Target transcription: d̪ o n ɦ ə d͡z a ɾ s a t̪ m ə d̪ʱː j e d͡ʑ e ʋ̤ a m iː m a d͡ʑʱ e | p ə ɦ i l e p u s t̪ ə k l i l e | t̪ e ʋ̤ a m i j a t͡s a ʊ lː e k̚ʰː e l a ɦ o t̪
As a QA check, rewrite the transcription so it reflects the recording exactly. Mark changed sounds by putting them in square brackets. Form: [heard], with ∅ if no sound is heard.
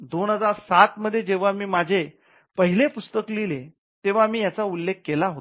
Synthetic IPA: d̪ o n ɦ ə d͡z a ɾ s a t̪ m ə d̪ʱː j e d͡ʑ e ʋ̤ a m iː m a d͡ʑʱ e | p ə ɦ i l e p u s t̪ ə k l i l e | t̪ e ʋ̤ a m [iː] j a t͡s a [u] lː e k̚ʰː e l a ɦ o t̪